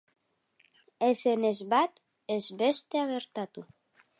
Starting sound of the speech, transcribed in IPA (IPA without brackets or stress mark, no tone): e